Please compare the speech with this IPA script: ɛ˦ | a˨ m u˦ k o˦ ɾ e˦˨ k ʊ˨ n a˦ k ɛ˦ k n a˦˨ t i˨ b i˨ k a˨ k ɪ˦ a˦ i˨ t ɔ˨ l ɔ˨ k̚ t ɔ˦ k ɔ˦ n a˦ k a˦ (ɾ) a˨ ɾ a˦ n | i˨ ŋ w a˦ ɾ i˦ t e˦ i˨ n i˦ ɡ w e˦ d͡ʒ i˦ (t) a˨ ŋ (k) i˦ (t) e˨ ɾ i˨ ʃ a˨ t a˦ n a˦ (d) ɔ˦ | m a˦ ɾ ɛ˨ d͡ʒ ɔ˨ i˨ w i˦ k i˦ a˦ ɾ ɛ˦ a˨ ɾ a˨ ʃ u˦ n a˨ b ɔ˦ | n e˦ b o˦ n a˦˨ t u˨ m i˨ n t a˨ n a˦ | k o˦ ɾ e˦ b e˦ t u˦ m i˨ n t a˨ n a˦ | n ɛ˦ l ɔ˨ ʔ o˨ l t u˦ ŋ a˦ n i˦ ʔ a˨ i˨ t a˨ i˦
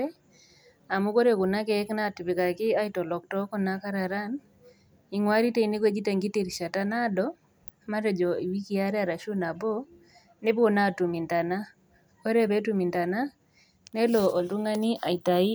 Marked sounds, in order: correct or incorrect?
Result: correct, correct, incorrect: ɡ, correct, correct

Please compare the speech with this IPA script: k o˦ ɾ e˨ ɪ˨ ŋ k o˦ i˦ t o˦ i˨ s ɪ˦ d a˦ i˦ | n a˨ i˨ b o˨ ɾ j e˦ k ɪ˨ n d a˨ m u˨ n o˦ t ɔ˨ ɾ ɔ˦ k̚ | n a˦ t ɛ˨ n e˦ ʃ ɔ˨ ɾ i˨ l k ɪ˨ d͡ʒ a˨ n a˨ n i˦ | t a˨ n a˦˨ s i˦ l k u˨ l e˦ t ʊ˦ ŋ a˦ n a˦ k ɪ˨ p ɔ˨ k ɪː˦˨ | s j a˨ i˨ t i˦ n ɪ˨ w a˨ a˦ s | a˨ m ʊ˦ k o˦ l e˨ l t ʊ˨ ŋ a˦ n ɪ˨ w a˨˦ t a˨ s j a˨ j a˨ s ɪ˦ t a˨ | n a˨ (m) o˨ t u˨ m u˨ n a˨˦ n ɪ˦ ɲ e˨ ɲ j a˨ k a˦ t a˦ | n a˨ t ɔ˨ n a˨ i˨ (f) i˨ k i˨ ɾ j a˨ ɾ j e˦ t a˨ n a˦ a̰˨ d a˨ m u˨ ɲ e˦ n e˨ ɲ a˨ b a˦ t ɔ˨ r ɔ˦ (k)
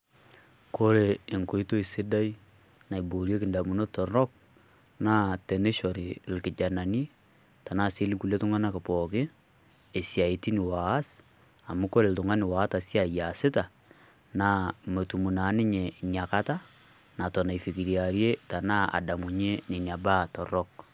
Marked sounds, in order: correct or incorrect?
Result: correct, correct, correct

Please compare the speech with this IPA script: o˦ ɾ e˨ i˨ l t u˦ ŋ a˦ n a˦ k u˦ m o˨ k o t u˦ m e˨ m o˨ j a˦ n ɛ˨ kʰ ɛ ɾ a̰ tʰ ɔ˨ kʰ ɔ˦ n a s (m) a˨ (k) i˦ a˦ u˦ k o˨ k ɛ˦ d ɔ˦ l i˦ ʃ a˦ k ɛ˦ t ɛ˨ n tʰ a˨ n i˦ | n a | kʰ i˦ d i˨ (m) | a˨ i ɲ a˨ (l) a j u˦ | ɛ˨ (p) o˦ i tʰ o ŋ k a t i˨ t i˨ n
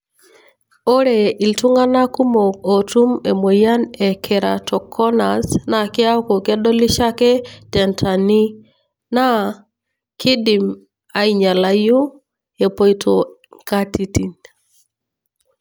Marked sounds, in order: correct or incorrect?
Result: incorrect: n, correct, correct, correct, correct

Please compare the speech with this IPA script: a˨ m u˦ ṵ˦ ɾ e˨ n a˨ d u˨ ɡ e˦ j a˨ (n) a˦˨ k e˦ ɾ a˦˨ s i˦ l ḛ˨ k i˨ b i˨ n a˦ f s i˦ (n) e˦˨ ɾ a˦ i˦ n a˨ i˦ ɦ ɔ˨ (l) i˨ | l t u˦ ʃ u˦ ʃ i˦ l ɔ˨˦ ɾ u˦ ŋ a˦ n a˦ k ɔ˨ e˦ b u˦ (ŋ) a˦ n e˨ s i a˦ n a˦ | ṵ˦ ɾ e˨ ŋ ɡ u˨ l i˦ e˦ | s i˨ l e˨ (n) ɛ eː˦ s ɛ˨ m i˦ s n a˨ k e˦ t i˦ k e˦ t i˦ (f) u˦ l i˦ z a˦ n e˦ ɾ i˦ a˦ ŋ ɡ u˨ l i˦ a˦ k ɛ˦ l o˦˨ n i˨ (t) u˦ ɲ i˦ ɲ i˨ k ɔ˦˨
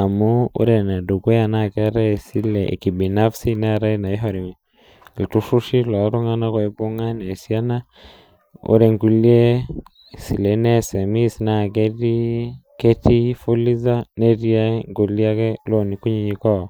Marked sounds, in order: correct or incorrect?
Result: correct, correct, incorrect: ɾ, correct, correct, correct, incorrect: k

